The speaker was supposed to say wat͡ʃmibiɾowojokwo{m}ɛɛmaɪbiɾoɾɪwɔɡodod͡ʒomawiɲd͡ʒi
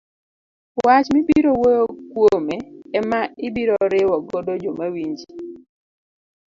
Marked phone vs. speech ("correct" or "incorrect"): correct